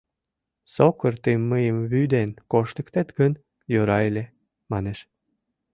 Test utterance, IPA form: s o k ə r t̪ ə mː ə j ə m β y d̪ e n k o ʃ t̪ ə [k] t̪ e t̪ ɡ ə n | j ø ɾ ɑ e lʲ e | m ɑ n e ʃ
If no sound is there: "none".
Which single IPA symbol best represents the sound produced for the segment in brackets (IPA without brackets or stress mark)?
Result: k